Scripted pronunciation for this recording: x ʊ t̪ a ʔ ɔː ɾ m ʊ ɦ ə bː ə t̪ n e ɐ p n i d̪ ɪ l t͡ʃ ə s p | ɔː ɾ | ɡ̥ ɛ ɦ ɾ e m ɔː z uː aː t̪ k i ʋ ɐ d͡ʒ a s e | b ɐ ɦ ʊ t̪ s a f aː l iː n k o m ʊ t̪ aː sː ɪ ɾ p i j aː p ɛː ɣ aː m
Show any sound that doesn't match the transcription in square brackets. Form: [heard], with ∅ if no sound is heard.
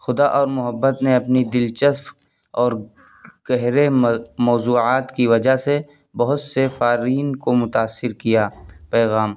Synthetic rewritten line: x ʊ [d̪] a ʔ ɔː ɾ m ʊ ɦ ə bː ə t̪ n e ɐ p n i d̪ ɪ l t͡ʃ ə s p | ɔː ɾ | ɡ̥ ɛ ɦ ɾ e m ɔː z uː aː t̪ k i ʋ ɐ d͡ʒ a s e | b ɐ ɦ ʊ t̪ s [e] f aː [ɾ] iː n k o m ʊ t̪ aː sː ɪ ɾ [k] i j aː p ɛː ɣ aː m